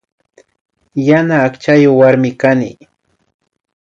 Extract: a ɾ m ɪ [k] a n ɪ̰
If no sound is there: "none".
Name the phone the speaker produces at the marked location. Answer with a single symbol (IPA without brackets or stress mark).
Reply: k